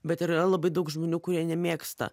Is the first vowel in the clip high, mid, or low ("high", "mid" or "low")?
mid